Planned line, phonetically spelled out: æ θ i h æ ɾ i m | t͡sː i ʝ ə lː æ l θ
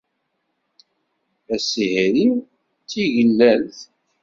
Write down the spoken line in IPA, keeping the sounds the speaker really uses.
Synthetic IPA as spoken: æ s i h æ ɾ i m | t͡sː i ʝ ə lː æ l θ

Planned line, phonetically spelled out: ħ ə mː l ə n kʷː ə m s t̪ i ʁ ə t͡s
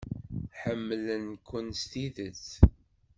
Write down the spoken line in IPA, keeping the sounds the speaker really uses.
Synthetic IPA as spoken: ħ ə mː l ə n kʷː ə n s t̪ i ð ə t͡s

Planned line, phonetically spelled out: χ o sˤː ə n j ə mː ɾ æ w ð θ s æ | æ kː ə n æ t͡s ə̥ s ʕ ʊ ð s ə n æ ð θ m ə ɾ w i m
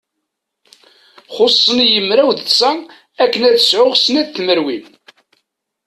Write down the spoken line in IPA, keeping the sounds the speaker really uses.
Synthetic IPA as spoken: χ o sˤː ə n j ə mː ɾ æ w ð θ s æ | æ kː ə n æ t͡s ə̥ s ʕ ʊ ʁ s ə n æ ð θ m ə ɾ w i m

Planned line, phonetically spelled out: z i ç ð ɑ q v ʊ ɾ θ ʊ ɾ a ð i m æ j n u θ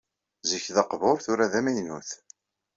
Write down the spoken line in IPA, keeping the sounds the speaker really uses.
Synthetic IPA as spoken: z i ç ð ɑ q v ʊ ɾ θ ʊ ɾ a ð æ m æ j n u θ

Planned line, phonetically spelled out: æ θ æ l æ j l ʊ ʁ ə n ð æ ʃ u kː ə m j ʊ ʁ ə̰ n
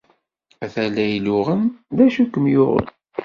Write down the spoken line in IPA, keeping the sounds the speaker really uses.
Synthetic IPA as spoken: æ θ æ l æ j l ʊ ʁ ə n ð æ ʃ u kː ə m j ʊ ʁ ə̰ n

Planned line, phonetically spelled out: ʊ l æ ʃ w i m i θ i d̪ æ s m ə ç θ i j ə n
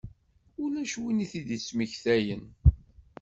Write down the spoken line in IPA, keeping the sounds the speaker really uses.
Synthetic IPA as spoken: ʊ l æ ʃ w i n i θ i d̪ i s m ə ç θ æ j ə n

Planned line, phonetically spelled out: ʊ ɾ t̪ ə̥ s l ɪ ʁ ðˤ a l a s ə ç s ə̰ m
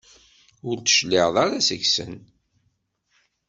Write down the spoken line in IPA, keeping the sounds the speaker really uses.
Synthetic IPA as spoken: ʊ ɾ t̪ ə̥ ʃ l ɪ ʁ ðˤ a ɾ a s ə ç s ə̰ n

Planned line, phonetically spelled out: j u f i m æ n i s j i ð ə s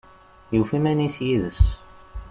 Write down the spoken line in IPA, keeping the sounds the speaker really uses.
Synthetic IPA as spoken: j u f i m æ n i s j i ð ə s

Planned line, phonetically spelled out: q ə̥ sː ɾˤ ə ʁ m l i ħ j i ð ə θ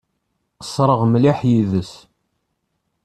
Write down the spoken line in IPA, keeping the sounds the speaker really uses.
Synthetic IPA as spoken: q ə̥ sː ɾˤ ə ʁ m l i ħ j i ð ə s

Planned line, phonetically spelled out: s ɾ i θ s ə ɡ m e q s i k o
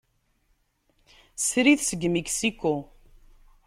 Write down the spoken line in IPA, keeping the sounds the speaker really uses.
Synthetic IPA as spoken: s ɾ i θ s ə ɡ m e k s i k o

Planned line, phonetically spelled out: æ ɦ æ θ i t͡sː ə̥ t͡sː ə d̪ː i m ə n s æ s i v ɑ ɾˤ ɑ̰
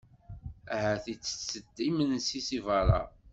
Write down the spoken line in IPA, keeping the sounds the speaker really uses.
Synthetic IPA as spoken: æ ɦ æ θ i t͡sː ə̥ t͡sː ə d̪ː i m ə n s i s i v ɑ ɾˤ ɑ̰

